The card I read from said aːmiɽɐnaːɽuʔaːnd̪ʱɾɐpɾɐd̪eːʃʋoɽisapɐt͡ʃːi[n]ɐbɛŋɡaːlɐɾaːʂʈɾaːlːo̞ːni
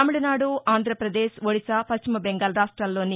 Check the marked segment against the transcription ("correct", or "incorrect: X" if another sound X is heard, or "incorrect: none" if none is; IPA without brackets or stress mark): incorrect: m